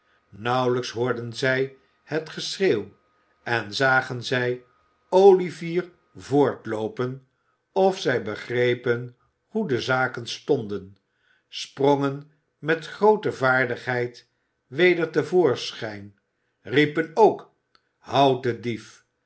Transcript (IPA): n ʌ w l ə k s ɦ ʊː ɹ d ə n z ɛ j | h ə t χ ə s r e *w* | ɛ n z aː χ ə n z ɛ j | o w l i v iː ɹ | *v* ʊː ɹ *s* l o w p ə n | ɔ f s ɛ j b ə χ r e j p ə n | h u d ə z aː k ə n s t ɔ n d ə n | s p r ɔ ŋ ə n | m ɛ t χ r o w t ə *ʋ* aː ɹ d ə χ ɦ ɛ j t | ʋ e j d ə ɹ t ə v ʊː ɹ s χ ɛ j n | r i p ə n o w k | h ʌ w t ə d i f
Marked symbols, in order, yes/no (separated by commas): yes, yes, no, no